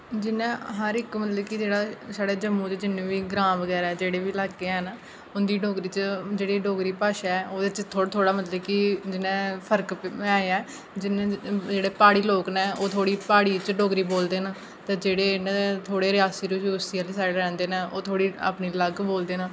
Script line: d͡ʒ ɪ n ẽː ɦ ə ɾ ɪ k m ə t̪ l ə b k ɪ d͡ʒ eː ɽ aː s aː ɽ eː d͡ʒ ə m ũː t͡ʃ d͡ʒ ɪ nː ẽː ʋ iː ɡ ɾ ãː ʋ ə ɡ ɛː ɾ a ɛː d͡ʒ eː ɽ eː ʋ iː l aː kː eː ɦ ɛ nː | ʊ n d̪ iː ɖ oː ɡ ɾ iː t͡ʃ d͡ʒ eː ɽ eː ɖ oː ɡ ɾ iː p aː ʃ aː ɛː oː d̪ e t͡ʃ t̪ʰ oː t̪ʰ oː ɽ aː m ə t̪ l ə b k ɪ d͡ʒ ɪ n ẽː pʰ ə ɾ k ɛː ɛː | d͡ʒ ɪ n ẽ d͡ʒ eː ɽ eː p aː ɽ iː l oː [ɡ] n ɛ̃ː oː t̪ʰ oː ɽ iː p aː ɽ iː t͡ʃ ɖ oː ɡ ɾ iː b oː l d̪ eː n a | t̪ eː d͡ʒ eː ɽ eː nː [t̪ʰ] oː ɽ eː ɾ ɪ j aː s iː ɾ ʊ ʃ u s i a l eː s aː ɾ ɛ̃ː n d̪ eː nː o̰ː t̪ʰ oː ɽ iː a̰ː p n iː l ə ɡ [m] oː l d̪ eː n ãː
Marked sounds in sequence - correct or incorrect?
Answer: incorrect: k, correct, incorrect: b

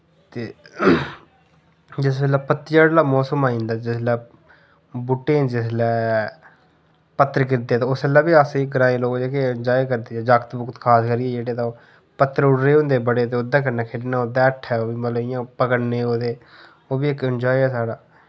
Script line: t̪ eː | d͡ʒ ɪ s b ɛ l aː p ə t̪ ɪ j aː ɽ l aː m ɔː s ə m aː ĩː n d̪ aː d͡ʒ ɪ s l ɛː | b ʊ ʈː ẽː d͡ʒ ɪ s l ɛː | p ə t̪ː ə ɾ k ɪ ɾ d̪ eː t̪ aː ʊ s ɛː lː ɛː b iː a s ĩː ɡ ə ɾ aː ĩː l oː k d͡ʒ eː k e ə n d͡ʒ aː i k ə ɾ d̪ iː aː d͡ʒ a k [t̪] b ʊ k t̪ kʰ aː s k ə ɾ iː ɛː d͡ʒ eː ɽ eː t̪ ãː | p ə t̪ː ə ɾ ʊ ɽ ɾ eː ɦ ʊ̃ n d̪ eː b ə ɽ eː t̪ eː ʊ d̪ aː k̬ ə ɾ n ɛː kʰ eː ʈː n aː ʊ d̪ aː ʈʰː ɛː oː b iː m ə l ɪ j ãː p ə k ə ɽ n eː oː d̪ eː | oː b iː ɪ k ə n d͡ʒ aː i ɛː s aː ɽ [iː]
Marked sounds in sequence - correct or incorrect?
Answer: correct, incorrect: aː

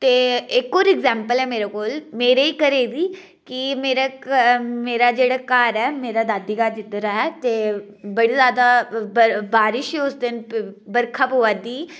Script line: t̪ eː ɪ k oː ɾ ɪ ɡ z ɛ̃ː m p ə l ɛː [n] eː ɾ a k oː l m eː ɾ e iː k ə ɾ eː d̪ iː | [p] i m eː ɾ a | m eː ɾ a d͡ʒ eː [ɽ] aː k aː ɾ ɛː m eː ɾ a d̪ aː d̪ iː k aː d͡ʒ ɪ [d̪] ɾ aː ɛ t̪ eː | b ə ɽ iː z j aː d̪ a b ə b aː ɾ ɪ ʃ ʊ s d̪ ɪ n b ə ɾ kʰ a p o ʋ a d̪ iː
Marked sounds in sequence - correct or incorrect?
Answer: incorrect: m, incorrect: k, correct, incorrect: t̪

